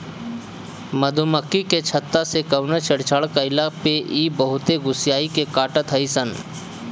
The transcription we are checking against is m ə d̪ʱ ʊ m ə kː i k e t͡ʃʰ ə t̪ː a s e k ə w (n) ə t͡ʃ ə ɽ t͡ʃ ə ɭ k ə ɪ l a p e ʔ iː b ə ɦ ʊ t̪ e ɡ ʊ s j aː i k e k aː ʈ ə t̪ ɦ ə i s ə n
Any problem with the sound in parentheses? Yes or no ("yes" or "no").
no